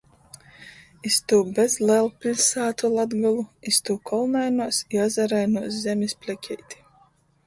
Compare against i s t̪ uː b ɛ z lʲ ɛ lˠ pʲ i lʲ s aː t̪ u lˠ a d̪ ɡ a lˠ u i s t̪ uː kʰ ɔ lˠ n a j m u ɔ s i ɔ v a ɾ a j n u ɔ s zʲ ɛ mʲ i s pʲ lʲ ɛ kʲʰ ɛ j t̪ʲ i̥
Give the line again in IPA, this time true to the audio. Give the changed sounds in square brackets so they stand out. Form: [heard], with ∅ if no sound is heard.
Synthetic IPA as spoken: i s t̪ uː b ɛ z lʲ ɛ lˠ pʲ i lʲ s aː t̪ u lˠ a d̪ ɡ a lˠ u i s t̪ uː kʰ ɔ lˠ n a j [n] u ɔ s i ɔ [z] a ɾ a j n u ɔ s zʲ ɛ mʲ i s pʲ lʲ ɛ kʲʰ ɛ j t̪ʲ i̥